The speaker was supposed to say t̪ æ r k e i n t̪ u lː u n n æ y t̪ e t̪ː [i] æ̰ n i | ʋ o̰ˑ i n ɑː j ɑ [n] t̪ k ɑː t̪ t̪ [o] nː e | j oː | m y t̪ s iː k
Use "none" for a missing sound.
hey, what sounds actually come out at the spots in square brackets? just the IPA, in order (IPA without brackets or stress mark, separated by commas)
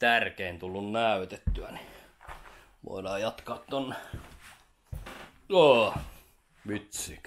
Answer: y, none, o